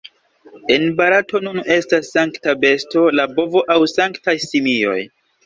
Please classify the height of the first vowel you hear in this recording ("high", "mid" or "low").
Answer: mid